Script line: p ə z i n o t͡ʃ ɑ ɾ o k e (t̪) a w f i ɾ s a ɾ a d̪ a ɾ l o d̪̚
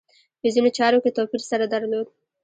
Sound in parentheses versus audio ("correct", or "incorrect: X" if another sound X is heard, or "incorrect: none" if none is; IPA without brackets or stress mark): correct